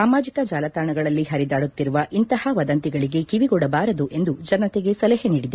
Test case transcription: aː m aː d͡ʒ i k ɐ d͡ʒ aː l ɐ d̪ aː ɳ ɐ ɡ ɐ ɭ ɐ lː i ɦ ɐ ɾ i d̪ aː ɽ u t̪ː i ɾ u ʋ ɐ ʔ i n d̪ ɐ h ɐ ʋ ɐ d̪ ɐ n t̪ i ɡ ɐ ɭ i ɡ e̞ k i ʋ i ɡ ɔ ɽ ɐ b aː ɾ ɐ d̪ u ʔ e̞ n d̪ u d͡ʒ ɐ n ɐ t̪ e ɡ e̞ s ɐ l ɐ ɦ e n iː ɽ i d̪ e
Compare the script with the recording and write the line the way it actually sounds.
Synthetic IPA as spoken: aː m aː d͡ʒ i k ɐ d͡ʒ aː l ɐ t̪ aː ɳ ɐ ɡ ɐ ɭ ɐ lː i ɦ ɐ ɾ i d̪ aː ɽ u t̪ː i ɾ u ʋ ɐ ʔ i n t̪ ɐ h ɐ ʋ ɐ d̪ ɐ n t̪ i ɡ ɐ ɭ i ɡ e̞ k i ʋ i ɡ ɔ ɽ ɐ b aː ɾ ɐ d̪ u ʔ e̞ n d̪ u d͡ʒ ɐ n ɐ t̪ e ɡ e̞ s ɐ l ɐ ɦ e n iː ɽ i d̪ e